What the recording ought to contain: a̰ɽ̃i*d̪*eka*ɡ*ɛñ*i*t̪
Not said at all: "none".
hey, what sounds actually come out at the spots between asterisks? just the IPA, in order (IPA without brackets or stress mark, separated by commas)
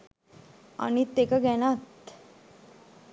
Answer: t̪, ɡ, a